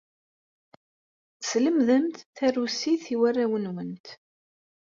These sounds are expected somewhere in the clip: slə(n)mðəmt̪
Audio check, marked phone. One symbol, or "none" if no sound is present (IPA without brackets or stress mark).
none